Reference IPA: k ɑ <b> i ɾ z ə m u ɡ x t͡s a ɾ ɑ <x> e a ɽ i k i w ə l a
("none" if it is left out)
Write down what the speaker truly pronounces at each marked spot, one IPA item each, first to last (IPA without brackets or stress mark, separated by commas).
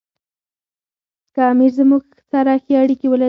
m, x